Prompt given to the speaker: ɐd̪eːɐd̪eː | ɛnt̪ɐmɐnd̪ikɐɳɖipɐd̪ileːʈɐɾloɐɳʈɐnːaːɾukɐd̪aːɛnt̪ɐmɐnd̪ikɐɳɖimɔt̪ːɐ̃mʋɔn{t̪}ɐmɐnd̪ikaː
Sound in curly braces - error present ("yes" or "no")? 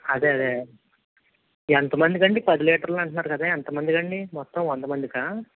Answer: yes